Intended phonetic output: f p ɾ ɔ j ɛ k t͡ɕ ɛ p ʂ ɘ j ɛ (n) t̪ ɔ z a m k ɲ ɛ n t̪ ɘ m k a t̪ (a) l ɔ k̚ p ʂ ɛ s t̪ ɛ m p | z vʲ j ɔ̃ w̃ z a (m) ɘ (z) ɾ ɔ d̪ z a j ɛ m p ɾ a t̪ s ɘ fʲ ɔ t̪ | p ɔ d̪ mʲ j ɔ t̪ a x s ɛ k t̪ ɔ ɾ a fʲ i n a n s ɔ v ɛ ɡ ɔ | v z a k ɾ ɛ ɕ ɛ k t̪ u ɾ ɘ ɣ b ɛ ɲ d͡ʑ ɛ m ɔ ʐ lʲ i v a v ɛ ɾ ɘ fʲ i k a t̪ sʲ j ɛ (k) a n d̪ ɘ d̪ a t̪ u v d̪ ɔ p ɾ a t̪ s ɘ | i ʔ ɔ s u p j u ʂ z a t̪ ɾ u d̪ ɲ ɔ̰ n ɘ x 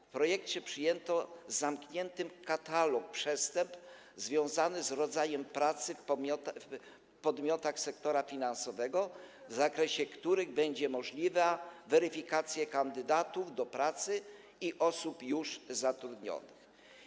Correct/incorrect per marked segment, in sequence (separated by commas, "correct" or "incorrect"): correct, correct, incorrect, correct, correct